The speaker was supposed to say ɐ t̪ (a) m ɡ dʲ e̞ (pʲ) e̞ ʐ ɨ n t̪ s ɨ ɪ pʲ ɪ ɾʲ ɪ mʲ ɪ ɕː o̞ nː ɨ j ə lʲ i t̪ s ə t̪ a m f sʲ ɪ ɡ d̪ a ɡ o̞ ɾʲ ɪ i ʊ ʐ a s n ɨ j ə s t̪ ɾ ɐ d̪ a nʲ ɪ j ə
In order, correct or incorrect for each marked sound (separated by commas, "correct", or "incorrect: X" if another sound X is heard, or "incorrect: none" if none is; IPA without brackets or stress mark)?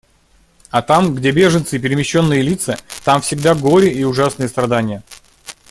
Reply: correct, incorrect: bʲ